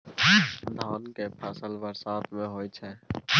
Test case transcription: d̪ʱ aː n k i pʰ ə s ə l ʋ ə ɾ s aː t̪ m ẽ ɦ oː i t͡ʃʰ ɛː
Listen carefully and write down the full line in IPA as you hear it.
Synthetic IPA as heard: d̪ʱ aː n k e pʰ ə s ə l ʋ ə ɾ s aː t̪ m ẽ ɦ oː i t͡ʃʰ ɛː